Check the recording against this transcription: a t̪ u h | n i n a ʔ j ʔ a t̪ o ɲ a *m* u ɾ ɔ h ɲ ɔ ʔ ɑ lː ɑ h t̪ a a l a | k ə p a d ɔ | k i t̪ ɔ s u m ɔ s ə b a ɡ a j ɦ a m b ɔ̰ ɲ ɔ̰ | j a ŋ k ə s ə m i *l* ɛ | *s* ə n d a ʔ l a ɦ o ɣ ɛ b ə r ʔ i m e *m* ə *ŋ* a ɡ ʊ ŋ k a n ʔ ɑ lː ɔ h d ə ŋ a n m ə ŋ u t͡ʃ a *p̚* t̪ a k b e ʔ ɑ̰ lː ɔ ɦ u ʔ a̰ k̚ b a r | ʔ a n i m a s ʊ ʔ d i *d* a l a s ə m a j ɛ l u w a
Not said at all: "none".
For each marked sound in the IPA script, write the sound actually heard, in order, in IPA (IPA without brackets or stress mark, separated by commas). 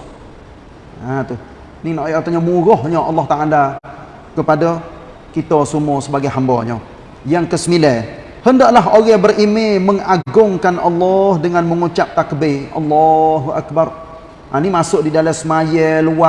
m, l, h, m, ŋ, p̚, d